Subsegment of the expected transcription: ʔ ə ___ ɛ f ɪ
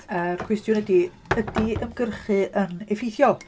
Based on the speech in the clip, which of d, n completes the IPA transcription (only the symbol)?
n